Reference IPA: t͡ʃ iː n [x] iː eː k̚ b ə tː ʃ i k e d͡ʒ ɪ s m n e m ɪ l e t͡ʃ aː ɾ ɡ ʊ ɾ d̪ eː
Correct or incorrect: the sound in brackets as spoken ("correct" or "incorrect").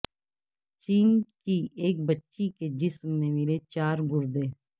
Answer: incorrect